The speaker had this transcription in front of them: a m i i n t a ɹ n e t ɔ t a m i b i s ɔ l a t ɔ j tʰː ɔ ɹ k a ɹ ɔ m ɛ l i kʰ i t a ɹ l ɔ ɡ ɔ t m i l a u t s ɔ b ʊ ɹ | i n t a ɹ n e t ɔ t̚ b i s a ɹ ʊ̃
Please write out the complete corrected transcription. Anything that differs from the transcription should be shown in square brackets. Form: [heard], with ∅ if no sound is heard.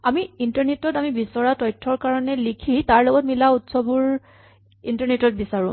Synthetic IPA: a m i i n t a ɹ n e t ɔ t a m i b i s ɔ [ɹ] a t ɔ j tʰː ɔ ɹ k a ɹ ɔ [n] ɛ l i kʰ i t a ɹ l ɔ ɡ ɔ t m i l a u t s ɔ b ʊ ɹ | i n t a ɹ n e t ɔ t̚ b i s a ɹ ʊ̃